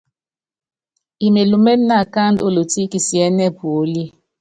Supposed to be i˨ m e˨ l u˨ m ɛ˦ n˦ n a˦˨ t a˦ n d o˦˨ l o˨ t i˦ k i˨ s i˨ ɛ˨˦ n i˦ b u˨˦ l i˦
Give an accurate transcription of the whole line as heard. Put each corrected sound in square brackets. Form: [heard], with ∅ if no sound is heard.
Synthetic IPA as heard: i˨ m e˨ l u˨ m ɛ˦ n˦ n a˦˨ [k] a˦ n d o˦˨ l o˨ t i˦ k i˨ s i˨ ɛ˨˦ n [ɛ˦] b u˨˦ l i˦

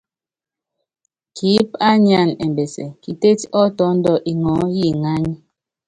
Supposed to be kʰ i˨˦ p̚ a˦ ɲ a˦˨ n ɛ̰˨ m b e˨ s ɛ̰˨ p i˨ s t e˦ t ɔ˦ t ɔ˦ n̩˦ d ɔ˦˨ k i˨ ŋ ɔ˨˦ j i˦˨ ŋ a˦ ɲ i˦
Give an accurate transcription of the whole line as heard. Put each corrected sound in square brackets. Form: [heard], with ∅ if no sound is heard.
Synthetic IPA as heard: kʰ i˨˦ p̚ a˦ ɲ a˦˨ n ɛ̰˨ m b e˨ s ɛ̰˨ [k] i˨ [∅] t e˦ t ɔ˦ t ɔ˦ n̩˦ d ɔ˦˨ [ʔ] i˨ ŋ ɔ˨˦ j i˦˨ ŋ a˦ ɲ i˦

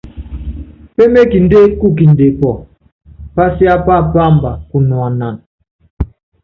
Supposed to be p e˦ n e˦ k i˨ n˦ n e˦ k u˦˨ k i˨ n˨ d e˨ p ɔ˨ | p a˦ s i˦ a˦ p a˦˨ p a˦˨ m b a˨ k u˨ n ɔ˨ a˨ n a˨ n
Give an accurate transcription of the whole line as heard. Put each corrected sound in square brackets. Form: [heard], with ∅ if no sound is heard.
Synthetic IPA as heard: p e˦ [m] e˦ k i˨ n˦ [d] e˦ k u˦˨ k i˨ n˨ d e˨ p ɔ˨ | p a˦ s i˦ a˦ p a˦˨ p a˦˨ m b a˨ k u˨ n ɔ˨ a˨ n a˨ n

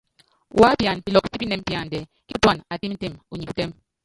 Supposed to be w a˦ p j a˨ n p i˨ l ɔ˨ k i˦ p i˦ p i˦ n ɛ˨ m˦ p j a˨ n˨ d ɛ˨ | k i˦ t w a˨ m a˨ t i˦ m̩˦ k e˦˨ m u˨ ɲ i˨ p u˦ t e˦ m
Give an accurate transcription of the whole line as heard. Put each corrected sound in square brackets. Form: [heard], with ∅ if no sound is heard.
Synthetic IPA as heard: w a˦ p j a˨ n p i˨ l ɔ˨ k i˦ p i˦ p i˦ n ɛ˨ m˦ p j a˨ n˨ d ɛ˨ | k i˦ t w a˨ [n] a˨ t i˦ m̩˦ [t] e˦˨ m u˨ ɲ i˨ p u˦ t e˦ m

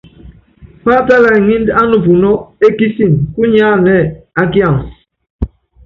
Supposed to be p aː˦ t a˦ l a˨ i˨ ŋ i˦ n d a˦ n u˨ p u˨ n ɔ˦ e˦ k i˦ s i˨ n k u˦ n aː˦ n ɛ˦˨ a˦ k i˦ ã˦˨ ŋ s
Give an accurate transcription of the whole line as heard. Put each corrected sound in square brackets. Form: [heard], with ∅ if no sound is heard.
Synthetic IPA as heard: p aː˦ t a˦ l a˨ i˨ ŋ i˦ n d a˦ n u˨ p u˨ n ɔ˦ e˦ k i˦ s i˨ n k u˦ [ɲ] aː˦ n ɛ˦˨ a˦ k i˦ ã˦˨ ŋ s

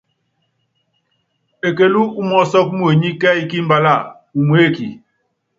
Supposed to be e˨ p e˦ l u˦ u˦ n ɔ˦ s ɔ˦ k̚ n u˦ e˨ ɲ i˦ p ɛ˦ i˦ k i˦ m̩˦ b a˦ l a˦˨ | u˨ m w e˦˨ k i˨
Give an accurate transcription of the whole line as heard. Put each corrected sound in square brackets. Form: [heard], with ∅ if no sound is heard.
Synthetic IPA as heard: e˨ [k] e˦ l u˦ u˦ [m] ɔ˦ s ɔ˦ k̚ [m] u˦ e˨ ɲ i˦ [k] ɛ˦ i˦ k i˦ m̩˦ b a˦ l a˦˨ | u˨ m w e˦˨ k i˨

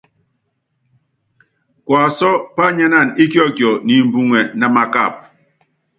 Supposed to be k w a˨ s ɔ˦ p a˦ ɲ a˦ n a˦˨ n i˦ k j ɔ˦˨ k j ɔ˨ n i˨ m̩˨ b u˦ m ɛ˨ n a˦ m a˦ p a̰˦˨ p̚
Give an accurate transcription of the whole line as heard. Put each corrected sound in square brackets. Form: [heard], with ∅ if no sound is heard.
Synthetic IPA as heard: k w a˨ s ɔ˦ p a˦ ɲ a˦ n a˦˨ n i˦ k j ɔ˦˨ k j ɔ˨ n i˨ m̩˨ b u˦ [ŋ] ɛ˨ n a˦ m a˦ [k] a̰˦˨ p̚

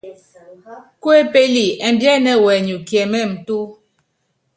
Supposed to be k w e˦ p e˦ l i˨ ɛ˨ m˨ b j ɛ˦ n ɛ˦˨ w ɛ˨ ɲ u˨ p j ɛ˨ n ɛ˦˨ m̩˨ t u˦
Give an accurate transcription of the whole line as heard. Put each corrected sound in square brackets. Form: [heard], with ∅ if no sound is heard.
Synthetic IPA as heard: k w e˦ p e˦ l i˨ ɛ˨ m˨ b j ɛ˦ n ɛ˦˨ w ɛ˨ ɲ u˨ [k] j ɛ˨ [m] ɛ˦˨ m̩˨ t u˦

